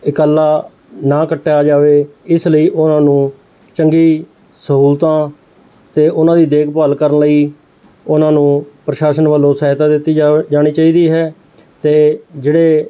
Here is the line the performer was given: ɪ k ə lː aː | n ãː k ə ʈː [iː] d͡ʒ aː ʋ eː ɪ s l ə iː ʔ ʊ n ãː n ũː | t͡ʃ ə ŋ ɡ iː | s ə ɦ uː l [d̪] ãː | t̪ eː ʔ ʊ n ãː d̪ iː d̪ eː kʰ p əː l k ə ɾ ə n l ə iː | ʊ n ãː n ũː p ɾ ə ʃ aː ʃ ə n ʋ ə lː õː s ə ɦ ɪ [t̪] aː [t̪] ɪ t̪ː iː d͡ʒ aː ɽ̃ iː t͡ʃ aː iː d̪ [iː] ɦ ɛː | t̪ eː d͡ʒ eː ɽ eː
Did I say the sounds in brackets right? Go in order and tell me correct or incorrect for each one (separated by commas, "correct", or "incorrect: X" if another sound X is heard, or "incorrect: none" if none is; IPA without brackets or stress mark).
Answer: incorrect: aː, incorrect: t̪, correct, incorrect: d̪, correct